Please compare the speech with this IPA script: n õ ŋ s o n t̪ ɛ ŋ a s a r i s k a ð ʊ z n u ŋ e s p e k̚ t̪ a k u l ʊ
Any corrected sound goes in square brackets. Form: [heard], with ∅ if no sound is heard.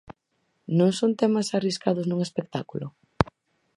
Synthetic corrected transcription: n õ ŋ s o n t̪ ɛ [m] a s a r i s k a ð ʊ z n u ŋ e s p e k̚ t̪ a k u l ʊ